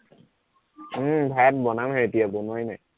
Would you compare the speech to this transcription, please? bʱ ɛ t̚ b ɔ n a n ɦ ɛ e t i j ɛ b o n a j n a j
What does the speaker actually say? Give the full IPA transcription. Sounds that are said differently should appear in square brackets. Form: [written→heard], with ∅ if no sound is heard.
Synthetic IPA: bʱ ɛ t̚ b ɔ n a [n→m] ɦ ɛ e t i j [ɛ→a] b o n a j n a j